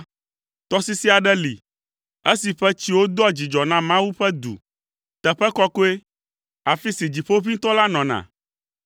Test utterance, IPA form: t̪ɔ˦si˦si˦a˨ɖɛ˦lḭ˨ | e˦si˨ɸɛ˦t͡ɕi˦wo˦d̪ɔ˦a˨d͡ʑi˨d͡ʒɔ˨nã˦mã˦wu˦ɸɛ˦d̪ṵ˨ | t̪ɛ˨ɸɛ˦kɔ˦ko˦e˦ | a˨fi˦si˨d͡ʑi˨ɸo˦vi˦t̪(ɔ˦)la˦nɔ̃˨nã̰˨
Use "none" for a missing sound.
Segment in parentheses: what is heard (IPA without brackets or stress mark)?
ɔ˦